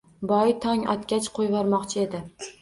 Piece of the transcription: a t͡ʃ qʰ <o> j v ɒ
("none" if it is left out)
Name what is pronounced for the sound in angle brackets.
o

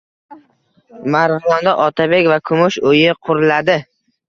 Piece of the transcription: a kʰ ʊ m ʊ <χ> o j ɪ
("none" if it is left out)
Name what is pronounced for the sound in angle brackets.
ʃ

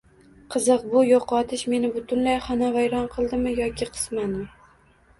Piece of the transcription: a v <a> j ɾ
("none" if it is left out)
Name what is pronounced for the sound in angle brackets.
a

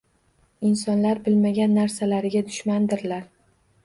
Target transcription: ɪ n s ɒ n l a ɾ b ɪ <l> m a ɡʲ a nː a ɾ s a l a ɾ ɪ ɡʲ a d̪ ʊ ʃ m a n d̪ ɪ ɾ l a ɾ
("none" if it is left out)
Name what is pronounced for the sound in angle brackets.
l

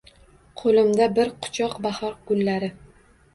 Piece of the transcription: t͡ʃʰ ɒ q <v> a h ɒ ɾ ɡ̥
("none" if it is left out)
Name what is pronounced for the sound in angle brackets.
b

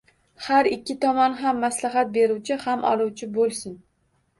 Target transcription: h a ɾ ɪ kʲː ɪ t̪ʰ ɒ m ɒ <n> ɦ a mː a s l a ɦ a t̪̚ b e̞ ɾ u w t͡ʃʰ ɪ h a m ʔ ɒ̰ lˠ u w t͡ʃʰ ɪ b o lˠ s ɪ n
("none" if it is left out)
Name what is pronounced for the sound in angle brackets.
n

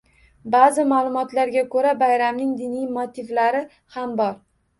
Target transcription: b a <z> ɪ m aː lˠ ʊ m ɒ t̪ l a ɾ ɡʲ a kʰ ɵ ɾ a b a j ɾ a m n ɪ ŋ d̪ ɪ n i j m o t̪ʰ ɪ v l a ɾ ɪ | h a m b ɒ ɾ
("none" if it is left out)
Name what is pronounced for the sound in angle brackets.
z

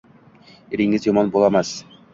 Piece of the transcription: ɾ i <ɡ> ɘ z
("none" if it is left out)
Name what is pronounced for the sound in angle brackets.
ŋ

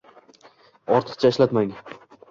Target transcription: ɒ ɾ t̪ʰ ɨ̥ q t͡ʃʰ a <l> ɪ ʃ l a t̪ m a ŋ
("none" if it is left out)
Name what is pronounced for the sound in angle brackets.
none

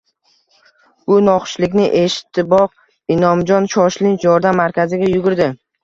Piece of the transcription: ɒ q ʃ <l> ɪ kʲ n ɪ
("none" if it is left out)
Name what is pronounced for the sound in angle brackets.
l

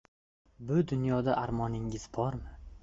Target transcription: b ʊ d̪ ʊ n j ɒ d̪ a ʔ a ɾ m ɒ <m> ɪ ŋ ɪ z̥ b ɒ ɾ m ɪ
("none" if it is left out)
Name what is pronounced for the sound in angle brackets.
n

